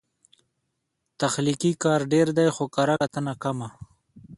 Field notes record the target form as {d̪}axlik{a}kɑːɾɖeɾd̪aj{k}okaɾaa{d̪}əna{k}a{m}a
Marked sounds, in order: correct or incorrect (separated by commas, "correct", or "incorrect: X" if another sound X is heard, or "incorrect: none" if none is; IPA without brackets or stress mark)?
incorrect: t̪, incorrect: i, incorrect: x, incorrect: t̪, correct, correct